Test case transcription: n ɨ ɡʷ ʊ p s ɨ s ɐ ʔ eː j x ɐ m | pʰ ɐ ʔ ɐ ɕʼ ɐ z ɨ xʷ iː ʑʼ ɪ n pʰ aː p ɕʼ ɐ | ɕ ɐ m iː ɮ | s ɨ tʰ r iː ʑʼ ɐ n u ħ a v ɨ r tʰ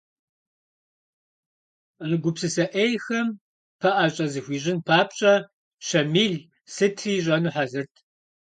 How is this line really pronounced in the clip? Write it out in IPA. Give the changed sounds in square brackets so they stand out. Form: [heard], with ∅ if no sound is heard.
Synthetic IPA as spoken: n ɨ ɡʷ ʊ p s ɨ s ɐ ʔ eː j x ɐ m | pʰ ɐ ʔ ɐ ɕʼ ɐ z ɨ xʷ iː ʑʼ ɪ n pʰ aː p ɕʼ ɐ | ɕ ɐ m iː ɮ | s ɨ tʰ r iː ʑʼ ɐ n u ħ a [z] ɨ r tʰ